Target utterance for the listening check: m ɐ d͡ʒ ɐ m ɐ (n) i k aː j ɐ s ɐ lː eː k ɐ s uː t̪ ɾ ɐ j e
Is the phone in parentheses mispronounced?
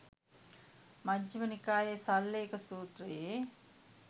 no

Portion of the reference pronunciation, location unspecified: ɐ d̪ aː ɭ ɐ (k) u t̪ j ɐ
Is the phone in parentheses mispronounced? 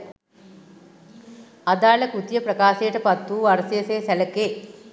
no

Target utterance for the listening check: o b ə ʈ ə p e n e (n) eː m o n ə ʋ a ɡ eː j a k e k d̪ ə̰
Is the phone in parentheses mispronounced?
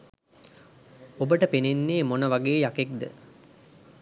yes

